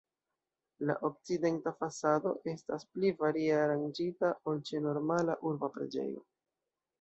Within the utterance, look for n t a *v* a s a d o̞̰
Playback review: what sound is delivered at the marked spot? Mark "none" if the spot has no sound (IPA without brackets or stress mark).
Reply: f